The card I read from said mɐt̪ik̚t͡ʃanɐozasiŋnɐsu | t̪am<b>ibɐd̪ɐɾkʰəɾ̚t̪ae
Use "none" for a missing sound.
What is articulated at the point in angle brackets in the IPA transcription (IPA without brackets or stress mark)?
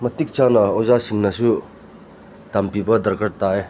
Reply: p